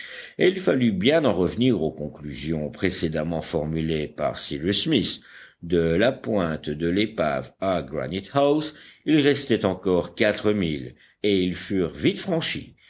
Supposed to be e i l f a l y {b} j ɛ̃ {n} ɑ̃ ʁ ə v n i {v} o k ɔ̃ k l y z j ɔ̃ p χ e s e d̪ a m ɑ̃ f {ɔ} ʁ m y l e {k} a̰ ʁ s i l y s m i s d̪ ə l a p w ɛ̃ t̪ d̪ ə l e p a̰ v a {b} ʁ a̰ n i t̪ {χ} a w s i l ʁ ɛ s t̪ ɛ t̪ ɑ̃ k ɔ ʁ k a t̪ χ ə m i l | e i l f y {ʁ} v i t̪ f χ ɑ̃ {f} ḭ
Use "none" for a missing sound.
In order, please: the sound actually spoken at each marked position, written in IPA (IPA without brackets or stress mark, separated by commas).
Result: b, n, ʁ, ɔ, p, ɡ, h, ʁ, ʃ